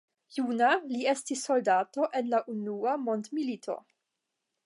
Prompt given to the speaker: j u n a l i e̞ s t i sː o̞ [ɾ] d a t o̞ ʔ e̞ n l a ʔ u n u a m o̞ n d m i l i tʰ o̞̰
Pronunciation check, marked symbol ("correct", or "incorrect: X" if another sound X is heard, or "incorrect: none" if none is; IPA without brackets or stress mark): incorrect: l